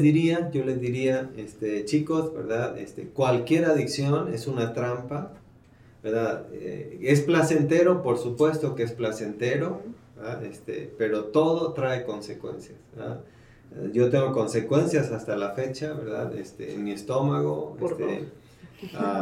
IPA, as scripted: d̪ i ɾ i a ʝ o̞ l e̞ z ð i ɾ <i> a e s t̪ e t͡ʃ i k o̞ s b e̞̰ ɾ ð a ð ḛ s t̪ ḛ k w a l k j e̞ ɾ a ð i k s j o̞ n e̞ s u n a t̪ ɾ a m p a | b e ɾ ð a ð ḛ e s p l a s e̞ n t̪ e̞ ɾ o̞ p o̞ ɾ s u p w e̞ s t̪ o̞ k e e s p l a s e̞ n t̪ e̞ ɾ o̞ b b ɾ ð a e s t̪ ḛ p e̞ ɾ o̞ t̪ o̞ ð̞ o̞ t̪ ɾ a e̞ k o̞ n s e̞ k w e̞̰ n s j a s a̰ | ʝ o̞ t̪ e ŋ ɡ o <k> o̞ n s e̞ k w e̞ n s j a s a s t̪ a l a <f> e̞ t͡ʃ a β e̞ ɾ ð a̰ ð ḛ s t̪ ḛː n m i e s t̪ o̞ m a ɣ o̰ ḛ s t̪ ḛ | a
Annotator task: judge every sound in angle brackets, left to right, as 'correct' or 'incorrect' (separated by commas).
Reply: correct, correct, correct